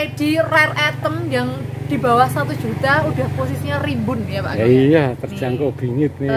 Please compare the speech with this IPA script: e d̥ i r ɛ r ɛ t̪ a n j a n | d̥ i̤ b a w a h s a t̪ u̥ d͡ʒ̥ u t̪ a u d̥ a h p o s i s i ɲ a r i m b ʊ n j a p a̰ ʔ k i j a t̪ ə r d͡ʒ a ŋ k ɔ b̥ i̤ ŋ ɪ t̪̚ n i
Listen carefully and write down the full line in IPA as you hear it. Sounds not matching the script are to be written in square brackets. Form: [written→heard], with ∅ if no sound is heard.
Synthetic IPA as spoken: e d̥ i r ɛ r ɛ t̪ [a→ə] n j a [n→ŋ] | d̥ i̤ b a w a h s a t̪ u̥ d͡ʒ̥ u t̪ a u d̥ a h p o s i s i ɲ a r i m b ʊ n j a p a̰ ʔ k i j a t̪ ə r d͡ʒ a ŋ k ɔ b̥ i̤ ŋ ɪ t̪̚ n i